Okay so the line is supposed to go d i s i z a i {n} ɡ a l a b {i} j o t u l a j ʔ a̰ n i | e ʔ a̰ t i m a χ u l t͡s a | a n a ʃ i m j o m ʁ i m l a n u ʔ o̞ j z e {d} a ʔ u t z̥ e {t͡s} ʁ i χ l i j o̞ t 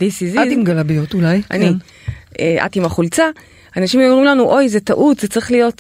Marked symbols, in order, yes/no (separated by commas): no, yes, no, yes